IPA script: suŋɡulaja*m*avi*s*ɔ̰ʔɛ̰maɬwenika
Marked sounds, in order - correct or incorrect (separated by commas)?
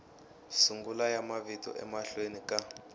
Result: correct, incorrect